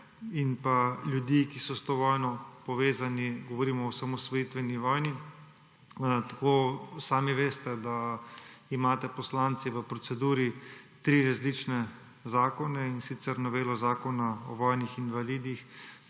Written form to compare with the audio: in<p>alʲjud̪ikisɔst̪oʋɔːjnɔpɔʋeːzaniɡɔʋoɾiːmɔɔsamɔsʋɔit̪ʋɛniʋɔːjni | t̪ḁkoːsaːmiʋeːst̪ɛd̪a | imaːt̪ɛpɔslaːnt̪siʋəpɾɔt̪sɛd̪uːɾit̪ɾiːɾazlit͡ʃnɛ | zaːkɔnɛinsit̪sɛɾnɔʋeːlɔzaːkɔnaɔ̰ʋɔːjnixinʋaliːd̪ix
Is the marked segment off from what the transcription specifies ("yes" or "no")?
no